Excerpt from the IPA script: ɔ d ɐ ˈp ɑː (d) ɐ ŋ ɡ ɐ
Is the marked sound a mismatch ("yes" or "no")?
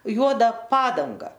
no